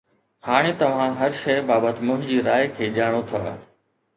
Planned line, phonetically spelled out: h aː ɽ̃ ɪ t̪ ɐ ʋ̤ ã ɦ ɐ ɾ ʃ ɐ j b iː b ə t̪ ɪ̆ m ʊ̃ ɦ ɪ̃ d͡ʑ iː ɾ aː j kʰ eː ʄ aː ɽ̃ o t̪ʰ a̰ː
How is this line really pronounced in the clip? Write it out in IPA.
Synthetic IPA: h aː ɽ̃ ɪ t̪ ɐ ʋ̤ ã ɦ ɐ ɾ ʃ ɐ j b aː b ə t̪ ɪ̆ m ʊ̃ ɦ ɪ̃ d͡ʑ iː ɾ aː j kʰ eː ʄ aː ɽ̃ o t̪ʰ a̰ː